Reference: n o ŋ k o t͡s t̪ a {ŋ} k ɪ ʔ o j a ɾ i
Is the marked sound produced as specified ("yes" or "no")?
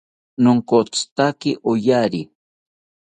no